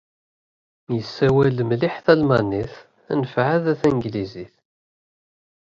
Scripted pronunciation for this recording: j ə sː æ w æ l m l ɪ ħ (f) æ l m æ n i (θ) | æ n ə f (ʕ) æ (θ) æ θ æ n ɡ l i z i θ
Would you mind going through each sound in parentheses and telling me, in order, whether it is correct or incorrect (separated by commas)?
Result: incorrect, correct, correct, incorrect